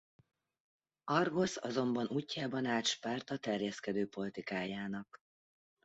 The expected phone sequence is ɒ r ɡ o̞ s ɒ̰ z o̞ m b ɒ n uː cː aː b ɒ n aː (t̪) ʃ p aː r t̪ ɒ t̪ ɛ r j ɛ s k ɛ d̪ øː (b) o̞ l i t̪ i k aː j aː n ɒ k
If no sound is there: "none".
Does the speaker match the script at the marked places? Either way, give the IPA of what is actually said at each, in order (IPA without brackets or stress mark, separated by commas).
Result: t̪, p